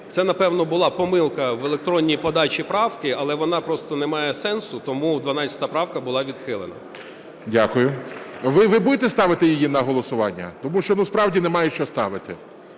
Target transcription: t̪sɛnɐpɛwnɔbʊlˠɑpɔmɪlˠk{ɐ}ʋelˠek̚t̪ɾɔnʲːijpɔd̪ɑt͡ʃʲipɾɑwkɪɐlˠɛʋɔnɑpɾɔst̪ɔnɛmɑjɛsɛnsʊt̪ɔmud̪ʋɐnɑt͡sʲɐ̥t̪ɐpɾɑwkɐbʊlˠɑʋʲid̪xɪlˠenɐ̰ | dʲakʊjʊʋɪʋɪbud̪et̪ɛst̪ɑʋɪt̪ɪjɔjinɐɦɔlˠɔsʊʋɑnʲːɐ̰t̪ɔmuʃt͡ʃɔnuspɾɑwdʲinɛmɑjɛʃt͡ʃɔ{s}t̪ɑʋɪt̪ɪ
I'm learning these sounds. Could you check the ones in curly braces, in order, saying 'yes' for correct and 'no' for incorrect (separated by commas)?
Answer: yes, yes